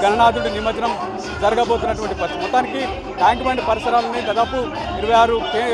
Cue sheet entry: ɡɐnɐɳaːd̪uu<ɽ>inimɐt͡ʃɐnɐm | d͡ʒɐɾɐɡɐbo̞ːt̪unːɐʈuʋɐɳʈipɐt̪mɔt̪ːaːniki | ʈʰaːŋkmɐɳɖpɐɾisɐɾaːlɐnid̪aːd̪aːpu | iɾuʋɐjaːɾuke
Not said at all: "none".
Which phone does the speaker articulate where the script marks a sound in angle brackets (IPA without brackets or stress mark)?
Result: ɽ